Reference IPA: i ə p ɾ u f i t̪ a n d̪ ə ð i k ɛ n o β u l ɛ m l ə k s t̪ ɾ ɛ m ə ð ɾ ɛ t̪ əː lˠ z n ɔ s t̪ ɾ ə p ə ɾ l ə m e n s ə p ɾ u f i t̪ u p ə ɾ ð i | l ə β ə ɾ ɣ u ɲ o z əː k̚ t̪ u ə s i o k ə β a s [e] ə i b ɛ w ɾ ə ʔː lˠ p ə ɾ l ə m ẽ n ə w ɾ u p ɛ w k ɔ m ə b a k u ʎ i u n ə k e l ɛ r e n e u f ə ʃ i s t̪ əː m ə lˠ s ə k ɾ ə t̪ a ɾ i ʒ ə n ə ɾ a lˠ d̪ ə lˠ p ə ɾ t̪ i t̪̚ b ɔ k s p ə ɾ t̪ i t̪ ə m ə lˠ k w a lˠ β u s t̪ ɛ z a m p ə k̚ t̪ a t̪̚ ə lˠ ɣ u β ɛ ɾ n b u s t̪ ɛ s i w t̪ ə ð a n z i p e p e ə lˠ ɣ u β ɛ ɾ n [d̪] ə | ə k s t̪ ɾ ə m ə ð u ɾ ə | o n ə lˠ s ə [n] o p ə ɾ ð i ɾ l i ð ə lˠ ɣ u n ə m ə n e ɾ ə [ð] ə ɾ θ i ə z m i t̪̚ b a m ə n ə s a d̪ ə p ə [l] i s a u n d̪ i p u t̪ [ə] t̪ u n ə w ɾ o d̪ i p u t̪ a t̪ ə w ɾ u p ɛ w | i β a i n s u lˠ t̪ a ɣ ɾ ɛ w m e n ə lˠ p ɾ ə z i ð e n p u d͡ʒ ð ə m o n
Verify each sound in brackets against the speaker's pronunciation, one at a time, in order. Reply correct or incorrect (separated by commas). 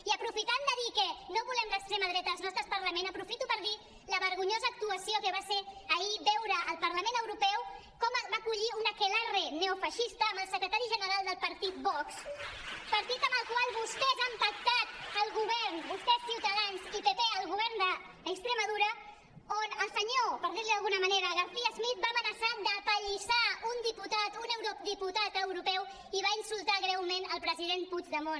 correct, correct, incorrect, incorrect, incorrect, incorrect